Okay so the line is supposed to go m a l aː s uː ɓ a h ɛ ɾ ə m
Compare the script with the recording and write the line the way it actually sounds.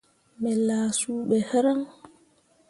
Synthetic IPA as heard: m ɛ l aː s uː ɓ ɛ h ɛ ɾ a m